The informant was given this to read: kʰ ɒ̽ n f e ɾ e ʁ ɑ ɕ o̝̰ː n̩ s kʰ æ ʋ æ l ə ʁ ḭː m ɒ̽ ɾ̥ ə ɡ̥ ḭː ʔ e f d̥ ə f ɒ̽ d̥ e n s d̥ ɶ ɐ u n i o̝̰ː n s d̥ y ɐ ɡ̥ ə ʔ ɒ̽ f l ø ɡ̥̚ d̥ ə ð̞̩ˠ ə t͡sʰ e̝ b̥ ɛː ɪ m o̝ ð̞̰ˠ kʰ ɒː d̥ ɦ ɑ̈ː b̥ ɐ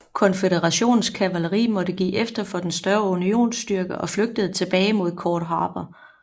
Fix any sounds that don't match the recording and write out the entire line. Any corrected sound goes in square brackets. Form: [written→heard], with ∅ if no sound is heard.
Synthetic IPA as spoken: kʰ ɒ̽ n f e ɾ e ʁ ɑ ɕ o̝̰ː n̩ s kʰ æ ʋ æ l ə ʁ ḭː m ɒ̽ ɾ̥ ə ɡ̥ ḭː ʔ e f d̥ [ə→ɐ] f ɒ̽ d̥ e n s d̥ ɶ ɐ u n i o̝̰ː n s d̥ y ɐ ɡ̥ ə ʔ ɒ̽ f l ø ɡ̥̚ d̥ ə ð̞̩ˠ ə t͡sʰ e̝ b̥ ɛː ɪ m o̝ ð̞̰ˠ kʰ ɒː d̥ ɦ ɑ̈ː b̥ ɐ